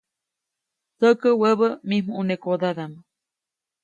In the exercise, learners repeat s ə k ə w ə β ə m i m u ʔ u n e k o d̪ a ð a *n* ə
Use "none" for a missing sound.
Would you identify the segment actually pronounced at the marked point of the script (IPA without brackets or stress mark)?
m